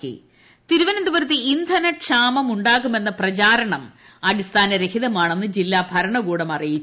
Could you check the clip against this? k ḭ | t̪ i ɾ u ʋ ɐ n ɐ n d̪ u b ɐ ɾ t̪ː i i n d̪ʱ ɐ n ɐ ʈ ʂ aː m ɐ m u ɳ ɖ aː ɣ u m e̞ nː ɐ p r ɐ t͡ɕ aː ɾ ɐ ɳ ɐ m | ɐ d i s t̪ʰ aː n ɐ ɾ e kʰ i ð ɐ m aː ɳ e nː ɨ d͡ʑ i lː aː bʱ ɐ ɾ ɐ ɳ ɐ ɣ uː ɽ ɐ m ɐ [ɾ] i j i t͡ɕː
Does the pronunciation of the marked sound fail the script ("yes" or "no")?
yes